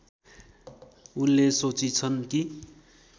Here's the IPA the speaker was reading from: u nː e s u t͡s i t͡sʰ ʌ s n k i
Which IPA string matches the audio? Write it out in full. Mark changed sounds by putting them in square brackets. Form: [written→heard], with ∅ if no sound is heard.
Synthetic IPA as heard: u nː e s [u→o] t͡s i t͡sʰ ʌ [s→∅] n k i